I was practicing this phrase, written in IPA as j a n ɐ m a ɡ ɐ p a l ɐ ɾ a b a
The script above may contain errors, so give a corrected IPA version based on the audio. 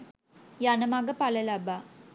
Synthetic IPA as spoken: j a n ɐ m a ɡ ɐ p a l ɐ l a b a